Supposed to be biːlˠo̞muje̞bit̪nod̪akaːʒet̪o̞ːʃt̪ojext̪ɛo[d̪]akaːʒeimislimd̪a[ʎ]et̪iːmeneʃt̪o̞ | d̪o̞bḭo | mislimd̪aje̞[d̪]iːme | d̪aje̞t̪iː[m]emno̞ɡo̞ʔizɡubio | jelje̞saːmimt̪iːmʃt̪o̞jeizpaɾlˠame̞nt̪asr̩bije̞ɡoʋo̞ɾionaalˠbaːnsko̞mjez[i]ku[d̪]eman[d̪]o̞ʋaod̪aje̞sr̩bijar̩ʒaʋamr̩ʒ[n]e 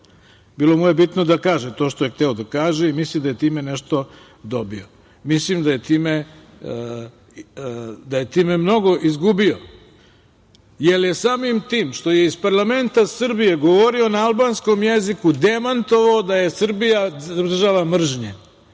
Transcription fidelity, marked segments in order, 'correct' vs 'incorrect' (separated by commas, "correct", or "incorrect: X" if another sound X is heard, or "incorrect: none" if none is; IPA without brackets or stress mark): correct, incorrect: j, incorrect: t̪, correct, correct, correct, incorrect: t̪, incorrect: ɲ